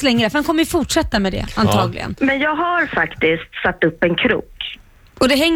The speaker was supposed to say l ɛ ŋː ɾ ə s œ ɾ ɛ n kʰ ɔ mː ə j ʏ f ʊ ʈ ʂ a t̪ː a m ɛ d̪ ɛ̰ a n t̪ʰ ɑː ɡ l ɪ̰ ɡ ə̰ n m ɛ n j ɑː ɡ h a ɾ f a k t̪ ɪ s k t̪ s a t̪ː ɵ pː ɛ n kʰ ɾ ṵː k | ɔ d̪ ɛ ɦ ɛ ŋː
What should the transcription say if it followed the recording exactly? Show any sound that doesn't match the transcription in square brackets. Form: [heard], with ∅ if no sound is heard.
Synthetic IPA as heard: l ɛ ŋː ɾ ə [f] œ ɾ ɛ n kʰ ɔ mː ə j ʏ f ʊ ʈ ʂ [ɛ] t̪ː a m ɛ d̪ ɛ̰ a n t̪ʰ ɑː ɡ l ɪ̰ ɡ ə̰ n m ɛ n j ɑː ɡ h a ɾ f a k t̪ ɪ s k t̪ s a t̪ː ɵ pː ɛ n kʰ ɾ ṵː k | ɔ d̪ ɛ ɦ ɛ ŋː